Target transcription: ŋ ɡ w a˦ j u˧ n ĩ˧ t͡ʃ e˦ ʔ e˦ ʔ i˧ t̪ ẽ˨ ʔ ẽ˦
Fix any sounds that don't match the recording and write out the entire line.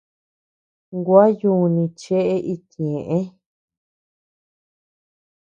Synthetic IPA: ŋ ɡ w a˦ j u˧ n ĩ˧ t͡ʃ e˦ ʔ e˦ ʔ i˧ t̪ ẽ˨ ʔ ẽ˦